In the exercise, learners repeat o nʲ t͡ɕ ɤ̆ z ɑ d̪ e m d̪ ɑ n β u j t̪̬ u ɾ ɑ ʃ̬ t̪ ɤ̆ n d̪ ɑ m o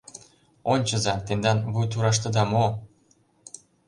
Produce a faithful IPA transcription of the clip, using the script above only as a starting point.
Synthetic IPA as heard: o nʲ t͡ɕ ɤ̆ z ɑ t̪ e n d̪ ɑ n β u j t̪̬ u ɾ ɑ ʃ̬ t̪ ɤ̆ d̪ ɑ m o